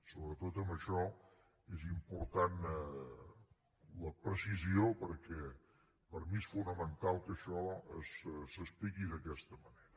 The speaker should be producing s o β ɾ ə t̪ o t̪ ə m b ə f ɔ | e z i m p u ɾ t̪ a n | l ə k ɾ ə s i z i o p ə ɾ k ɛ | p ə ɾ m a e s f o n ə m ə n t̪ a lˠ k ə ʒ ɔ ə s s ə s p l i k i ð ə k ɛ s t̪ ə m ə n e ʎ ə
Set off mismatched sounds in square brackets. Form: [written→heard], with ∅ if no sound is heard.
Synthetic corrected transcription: s o β ɾ ə t̪ o t̪ ə m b ə [f→ʃ] ɔ | e z i m p u ɾ t̪ a n | l ə [k→p] ɾ ə s i z i o p ə ɾ k ɛ | p ə ɾ m [a→i] e s f [o→u] n ə m ə n t̪ a lˠ k ə [ʒ→ʃ] ɔ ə s s ə s p l i k i ð ə k ɛ s t̪ ə m ə n e [ʎ→ɾ] ə